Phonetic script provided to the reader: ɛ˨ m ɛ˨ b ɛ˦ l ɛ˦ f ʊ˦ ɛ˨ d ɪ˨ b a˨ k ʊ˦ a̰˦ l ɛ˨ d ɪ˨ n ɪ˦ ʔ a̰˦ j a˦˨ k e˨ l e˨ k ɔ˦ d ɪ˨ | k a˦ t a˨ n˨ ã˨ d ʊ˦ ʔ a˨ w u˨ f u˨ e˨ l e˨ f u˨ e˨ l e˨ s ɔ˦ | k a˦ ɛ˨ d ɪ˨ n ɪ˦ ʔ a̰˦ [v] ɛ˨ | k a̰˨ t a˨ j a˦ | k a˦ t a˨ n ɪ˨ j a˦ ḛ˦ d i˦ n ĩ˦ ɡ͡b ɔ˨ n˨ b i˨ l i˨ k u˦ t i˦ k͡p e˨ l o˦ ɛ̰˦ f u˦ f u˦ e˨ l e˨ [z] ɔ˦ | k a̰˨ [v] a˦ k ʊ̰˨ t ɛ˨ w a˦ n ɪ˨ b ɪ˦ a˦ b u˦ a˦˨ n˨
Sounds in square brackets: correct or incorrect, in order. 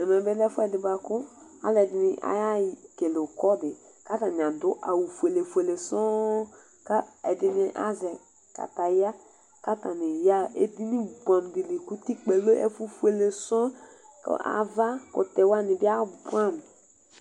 incorrect: z, incorrect: s, correct

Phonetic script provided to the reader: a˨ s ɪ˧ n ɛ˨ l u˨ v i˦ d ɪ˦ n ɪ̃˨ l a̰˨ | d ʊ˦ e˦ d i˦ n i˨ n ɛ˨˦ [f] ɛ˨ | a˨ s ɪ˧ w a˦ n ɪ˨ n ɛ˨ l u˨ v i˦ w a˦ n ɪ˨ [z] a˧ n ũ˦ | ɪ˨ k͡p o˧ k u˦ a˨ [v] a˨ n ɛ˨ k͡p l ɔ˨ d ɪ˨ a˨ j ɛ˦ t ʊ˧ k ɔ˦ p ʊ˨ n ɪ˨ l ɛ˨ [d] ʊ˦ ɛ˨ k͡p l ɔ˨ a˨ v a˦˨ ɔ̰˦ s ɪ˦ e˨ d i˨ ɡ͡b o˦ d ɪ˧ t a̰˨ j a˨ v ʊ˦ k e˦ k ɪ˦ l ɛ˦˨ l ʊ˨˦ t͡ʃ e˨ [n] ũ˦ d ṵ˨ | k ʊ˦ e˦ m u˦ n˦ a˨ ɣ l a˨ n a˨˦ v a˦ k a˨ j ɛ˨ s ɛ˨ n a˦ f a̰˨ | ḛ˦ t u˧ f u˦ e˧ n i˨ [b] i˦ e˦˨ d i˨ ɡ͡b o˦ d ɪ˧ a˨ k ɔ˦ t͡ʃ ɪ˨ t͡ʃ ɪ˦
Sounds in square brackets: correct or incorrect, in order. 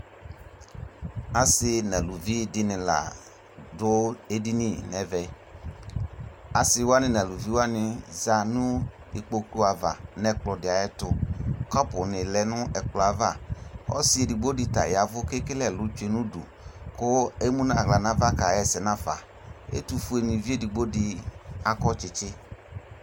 incorrect: v, correct, correct, incorrect: n, correct, incorrect: v

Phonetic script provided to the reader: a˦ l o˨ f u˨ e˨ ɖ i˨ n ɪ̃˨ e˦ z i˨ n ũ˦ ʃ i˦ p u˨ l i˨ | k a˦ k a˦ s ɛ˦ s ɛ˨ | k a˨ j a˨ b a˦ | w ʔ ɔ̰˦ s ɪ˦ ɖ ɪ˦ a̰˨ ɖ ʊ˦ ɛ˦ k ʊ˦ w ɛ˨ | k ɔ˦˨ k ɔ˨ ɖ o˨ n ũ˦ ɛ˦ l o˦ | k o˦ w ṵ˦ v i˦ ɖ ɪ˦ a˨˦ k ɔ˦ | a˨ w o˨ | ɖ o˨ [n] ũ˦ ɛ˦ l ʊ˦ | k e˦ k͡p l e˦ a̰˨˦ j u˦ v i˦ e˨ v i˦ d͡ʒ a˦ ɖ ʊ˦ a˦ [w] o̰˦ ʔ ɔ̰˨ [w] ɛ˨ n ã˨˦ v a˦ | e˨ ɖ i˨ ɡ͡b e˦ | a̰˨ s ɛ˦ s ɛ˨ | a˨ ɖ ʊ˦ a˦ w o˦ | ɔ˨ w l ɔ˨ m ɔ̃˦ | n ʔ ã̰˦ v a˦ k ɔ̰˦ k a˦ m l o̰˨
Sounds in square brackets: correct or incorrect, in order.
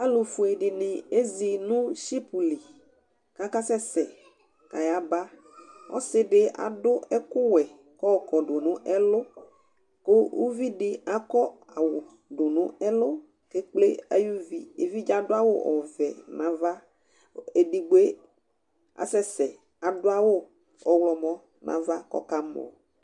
correct, correct, incorrect: v

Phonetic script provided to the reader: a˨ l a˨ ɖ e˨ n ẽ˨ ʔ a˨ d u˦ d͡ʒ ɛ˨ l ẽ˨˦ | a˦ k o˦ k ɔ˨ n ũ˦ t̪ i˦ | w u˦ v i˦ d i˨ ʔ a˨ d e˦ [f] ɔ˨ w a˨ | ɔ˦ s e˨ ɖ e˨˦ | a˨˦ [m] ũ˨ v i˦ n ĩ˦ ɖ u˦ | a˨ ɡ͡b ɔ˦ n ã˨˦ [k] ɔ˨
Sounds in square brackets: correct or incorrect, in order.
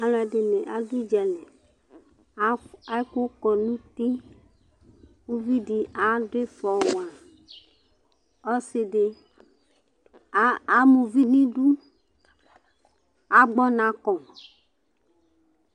correct, correct, correct

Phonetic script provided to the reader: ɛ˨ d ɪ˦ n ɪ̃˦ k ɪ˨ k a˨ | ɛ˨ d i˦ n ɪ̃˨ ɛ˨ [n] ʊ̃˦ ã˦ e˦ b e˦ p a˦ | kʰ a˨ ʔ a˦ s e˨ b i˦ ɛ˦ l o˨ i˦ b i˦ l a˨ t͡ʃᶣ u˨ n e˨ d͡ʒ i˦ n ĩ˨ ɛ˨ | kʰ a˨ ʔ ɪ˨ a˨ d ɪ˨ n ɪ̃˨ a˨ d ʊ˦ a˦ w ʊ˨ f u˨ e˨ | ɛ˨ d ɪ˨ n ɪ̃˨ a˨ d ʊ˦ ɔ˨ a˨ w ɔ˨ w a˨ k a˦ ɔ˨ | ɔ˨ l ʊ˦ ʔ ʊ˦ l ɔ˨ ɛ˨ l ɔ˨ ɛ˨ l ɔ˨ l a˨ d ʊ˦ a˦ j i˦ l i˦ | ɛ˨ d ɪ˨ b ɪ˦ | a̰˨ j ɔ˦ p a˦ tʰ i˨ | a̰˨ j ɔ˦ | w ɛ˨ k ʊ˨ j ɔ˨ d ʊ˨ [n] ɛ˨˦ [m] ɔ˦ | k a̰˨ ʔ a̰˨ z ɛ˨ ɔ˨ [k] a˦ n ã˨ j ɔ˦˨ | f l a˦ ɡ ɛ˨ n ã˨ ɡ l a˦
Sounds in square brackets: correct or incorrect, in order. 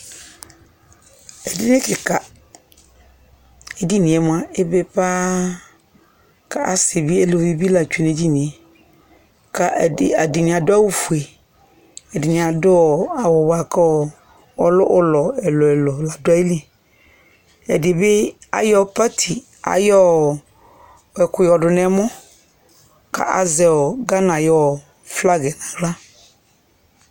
incorrect: m, correct, correct, incorrect: ɡ

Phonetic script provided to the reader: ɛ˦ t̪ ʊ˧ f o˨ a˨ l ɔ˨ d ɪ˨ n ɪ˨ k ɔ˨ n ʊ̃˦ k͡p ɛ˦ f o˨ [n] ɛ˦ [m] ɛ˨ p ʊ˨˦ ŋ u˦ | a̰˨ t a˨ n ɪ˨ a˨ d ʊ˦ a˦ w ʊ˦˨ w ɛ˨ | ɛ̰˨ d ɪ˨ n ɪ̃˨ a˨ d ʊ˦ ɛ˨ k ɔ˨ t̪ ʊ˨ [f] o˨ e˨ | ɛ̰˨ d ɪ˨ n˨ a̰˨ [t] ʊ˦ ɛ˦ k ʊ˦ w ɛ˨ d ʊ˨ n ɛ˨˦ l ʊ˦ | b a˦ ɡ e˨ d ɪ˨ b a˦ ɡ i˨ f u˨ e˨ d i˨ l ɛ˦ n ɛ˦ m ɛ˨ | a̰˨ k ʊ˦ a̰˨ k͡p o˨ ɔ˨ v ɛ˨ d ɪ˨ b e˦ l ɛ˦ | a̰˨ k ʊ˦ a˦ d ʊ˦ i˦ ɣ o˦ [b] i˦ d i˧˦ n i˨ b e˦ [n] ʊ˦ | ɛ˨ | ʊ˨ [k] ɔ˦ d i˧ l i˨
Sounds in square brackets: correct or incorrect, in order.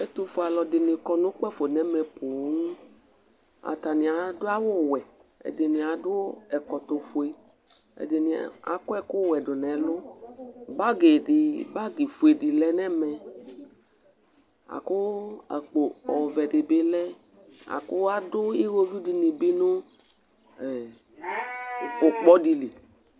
correct, correct, correct, incorrect: k, incorrect: v, correct, incorrect: k͡p

